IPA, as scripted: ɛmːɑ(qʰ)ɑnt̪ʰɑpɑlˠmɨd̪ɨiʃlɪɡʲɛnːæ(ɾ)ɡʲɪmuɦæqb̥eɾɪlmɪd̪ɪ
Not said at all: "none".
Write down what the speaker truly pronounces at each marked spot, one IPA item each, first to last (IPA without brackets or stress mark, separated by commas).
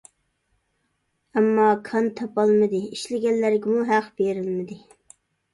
kʰ, ɾ